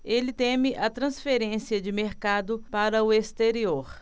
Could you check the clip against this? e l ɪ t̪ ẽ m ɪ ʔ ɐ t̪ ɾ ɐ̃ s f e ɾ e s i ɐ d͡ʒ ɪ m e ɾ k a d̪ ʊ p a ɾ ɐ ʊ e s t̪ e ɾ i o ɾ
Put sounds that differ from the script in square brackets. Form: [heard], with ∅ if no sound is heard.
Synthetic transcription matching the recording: e l ɪ t̪ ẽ m ɪ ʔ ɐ t̪ ɾ ɐ̃ s f e ɾ [ẽ] s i ɐ d͡ʒ ɪ m e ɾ k a d̪ ʊ p a ɾ ɐ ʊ e s t̪ e ɾ i o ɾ